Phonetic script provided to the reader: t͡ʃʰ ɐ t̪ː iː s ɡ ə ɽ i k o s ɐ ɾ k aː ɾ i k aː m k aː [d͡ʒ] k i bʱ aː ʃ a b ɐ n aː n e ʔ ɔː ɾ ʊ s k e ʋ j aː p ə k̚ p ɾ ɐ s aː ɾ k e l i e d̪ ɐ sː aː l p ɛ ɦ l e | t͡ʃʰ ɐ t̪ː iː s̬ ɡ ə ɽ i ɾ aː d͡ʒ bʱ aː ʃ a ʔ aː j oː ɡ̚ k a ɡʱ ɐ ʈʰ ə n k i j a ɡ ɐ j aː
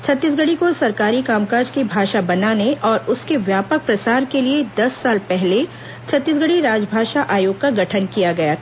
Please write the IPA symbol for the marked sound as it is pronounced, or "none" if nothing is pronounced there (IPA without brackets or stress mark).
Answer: d͡ʒ